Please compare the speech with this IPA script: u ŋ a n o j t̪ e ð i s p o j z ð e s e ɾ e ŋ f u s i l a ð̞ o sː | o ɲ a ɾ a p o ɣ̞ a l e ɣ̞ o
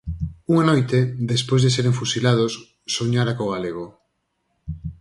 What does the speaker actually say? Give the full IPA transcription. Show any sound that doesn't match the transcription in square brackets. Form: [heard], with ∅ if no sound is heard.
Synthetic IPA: u ŋ a n o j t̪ e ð [e] s p o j z ð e s e ɾ e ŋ f u s i l a ð̞ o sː | o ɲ a ɾ a [k] o ɣ̞ a l e ɣ̞ o